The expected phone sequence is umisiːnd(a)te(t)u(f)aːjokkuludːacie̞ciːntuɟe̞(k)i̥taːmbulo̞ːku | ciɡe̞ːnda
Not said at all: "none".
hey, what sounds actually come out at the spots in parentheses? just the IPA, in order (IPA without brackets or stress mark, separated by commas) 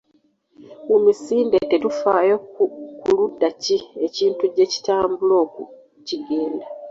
e, t, f, c